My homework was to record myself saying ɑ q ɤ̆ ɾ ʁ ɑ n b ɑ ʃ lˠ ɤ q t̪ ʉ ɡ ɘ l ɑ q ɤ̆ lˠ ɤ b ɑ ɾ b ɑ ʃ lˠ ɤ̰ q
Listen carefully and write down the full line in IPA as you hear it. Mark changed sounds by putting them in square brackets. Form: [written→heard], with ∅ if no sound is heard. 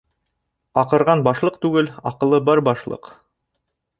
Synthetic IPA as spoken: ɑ q ɤ̆ ɾ ʁ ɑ n b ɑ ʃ lˠ ɤ q t̪ ʉ ɡ ɘ l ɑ q ɤ̆ lˠ ɤ b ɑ ɾ b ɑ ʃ lˠ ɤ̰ q